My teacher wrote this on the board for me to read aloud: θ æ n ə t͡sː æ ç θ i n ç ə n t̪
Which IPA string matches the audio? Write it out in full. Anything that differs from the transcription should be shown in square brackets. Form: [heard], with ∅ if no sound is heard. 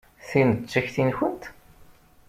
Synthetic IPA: θ [i] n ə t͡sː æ ç θ i n ç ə n t̪

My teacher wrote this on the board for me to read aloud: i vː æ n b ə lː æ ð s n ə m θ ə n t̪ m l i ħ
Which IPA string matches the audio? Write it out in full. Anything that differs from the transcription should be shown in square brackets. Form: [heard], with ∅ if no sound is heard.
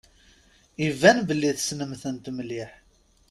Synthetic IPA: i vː æ n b ə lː [i] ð s n ə m θ ə n t̪ m l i ħ

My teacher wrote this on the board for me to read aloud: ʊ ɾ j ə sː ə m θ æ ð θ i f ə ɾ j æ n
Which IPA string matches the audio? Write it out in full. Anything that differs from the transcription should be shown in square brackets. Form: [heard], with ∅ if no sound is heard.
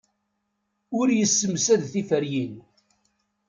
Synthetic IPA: ʊ ɾ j ə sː ə m [s] æ ð θ i f ə ɾ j [i] n

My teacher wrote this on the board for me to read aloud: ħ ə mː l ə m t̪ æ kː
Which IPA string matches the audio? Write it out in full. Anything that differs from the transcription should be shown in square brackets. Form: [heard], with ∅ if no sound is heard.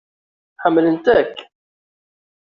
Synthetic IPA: ħ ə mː l ə [n] t̪ æ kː

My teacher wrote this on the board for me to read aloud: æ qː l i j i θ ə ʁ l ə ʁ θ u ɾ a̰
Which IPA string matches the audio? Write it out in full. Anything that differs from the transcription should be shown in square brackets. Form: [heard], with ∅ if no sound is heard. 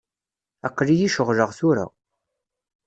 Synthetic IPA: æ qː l i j i [ʃ] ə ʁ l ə ʁ θ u ɾ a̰

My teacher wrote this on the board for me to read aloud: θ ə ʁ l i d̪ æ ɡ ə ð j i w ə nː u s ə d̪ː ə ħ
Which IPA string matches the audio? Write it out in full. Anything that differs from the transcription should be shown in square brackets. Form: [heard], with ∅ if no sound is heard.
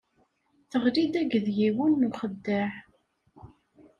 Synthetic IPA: θ ə ʁ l i d̪ æ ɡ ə ð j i w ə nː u [χ] ə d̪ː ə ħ

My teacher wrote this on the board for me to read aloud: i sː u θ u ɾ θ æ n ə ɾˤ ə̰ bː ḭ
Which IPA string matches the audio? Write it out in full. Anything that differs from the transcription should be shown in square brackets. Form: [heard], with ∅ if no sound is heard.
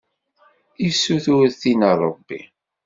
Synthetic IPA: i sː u θ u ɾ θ [i] n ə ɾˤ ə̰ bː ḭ

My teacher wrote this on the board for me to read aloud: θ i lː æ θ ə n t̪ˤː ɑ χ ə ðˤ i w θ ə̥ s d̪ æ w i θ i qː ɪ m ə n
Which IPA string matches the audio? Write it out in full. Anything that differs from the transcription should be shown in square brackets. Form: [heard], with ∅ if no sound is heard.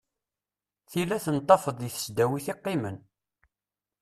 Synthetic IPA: θ i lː æ θ ə n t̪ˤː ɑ [f] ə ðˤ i [∅] θ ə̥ s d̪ æ w i θ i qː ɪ m ə n

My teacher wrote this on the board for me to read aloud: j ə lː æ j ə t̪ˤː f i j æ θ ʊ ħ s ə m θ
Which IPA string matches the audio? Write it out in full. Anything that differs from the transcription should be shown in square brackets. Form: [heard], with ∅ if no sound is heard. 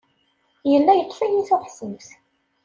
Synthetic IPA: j ə lː æ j ə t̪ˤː f [æ] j [i] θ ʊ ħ s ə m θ

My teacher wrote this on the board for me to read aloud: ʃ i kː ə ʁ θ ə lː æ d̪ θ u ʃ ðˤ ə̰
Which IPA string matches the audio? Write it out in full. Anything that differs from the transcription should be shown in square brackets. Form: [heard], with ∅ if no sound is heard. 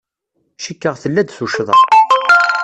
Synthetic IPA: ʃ i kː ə ʁ θ ə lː æ d̪ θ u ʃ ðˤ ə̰

